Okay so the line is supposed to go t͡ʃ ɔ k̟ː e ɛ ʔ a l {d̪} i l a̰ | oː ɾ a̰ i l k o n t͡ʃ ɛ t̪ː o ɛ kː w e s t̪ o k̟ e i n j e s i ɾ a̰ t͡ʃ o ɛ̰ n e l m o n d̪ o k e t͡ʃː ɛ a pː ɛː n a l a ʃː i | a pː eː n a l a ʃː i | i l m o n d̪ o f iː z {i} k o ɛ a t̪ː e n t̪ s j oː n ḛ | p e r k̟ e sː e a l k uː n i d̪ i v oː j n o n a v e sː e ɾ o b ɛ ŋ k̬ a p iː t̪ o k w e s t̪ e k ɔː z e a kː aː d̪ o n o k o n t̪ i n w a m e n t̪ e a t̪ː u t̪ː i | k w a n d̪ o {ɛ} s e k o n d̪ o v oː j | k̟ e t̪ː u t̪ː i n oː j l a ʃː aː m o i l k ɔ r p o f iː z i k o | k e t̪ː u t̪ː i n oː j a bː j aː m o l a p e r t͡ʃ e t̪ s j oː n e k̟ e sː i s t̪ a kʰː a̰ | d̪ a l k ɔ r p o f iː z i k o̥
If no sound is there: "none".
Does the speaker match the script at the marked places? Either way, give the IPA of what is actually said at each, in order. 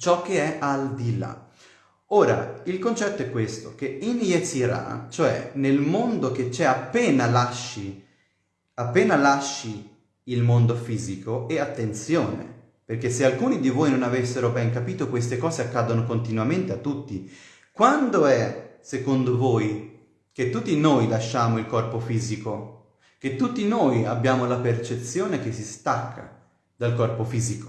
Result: d̪, i, ɛ

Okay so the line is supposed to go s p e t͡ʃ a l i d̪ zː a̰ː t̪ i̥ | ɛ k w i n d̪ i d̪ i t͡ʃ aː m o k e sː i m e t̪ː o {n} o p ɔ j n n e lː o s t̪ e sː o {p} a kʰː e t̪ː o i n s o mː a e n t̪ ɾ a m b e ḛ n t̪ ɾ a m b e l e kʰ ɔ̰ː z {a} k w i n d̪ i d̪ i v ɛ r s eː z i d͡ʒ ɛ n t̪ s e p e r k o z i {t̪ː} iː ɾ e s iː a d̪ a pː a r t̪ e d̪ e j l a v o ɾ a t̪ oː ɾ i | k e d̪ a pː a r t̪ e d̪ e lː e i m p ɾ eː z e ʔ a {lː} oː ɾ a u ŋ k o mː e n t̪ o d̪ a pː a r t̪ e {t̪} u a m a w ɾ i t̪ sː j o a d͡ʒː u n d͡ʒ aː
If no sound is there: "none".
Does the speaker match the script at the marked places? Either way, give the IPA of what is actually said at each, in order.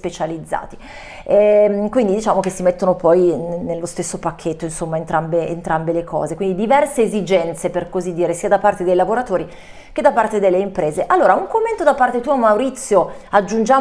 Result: n, p, e, d̪ː, lː, t̪

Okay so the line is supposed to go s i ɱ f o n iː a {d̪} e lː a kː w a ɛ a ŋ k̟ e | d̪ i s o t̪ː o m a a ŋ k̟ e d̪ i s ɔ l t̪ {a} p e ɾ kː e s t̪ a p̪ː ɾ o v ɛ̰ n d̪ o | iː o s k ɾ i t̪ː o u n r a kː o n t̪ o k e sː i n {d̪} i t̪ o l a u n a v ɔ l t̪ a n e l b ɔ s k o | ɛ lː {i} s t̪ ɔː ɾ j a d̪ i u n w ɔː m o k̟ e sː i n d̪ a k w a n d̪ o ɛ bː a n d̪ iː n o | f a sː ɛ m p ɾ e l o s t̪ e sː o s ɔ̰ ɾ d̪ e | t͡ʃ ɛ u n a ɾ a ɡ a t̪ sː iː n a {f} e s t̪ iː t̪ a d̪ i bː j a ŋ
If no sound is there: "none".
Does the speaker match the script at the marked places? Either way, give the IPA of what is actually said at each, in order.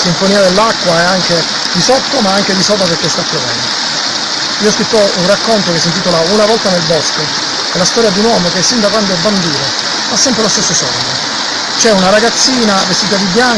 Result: d̪, a, t̪, a, v

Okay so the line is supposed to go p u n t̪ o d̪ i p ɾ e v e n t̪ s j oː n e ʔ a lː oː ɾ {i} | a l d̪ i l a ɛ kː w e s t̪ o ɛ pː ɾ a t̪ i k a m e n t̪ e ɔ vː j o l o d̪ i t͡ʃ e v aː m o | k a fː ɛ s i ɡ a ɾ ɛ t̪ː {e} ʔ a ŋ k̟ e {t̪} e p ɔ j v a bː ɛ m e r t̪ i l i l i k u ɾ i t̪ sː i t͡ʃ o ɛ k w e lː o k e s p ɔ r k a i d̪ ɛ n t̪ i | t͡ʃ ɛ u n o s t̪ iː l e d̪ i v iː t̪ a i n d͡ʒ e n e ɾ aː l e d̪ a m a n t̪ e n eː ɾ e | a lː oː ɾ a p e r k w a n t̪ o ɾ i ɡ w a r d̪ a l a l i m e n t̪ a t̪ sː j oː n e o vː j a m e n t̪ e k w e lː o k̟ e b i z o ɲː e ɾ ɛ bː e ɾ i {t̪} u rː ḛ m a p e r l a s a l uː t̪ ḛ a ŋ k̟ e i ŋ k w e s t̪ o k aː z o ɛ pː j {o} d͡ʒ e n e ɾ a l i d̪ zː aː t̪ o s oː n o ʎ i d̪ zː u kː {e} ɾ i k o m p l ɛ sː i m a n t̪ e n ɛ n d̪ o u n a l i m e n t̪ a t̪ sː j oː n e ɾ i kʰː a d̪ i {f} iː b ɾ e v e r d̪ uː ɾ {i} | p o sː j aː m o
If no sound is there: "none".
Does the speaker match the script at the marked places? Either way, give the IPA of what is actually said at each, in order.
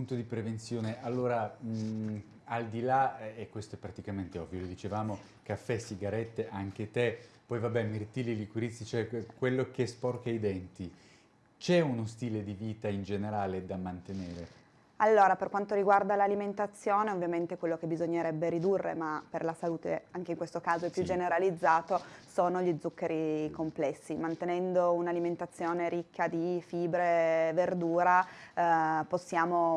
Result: a, e, t̪, d̪, u, e, f, a

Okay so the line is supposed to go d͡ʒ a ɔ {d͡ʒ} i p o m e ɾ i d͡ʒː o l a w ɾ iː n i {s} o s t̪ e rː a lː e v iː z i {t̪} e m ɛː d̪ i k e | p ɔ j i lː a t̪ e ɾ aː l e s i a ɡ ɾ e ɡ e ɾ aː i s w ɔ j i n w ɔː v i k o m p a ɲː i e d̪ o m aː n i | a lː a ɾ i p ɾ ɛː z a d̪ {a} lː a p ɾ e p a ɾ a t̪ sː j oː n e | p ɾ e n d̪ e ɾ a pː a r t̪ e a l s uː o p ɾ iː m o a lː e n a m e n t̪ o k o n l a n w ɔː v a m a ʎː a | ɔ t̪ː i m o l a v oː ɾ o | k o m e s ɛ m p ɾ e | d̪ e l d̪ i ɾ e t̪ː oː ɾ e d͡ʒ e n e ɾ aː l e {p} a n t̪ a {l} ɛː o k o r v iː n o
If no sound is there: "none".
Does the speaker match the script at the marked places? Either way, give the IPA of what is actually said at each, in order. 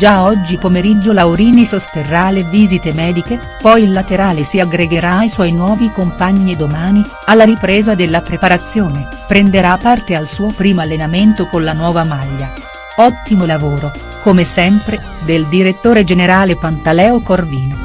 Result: d͡ʒː, s, t̪, e, p, l

